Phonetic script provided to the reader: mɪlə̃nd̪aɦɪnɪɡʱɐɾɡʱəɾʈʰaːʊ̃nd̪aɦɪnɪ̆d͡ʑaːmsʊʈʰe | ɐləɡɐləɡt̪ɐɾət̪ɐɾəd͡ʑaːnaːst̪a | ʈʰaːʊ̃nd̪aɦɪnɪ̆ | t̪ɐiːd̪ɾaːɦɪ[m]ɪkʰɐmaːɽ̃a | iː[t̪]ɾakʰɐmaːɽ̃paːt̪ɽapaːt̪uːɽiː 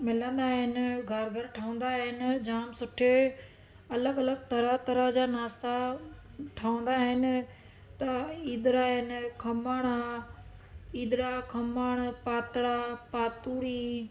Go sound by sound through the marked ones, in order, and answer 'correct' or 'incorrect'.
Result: incorrect: n, incorrect: d̪

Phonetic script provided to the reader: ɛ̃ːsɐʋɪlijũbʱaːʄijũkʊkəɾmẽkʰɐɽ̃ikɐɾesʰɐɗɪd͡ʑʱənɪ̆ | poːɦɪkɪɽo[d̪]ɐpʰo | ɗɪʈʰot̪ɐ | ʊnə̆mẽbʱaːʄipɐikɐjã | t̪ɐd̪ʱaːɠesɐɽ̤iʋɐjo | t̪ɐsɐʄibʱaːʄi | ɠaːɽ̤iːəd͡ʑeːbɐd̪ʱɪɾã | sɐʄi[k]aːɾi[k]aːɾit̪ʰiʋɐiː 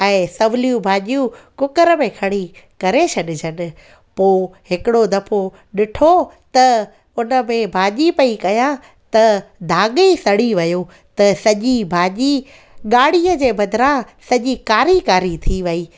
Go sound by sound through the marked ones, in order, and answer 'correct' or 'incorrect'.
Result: correct, correct, correct

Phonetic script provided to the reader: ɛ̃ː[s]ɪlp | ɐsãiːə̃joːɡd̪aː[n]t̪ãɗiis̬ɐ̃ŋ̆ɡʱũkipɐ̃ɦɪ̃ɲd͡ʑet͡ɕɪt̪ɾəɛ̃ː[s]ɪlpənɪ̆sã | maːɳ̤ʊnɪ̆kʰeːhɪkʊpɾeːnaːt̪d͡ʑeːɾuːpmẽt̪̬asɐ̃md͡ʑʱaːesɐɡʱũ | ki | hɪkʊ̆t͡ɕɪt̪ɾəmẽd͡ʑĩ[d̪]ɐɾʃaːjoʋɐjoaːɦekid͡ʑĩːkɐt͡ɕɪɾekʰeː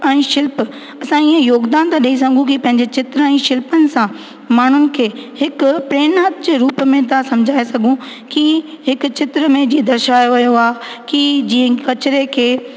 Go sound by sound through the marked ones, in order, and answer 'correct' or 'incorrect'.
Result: incorrect: ʃ, correct, incorrect: ʃ, correct

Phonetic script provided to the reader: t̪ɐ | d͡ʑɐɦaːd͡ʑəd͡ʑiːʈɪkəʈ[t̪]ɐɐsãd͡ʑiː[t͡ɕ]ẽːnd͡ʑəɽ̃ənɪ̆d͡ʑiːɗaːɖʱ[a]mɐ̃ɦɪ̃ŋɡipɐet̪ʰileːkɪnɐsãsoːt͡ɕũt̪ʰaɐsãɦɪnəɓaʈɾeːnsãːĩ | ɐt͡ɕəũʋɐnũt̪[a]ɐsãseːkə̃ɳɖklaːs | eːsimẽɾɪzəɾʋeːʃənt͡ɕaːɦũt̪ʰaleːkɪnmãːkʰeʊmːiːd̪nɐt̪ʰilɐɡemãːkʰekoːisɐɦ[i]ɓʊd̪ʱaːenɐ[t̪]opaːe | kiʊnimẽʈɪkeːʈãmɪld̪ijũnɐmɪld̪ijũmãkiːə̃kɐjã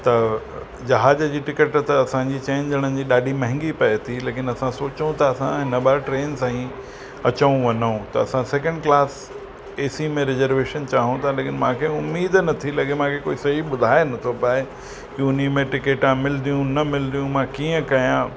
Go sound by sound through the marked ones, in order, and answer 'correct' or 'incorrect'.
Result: correct, correct, incorrect: i, incorrect: ɐ, correct, incorrect: t̪ʰ

